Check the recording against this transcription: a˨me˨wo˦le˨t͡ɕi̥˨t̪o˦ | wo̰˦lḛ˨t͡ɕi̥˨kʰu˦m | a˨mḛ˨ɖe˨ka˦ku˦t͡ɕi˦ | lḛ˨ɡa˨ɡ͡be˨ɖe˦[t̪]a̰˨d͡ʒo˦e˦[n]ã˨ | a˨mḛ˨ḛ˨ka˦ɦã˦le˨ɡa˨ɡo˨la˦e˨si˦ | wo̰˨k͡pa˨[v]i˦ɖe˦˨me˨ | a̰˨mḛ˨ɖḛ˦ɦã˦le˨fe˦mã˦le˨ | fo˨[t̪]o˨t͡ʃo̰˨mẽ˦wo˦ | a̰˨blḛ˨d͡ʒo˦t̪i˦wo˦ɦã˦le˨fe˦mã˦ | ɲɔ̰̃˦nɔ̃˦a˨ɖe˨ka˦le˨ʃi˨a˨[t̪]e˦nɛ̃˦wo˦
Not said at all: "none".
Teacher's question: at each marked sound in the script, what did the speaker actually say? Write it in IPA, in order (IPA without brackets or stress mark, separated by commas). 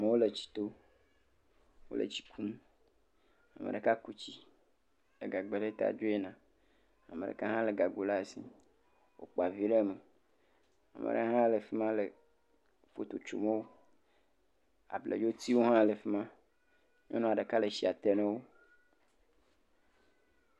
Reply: t̪, n, v, t̪, t̪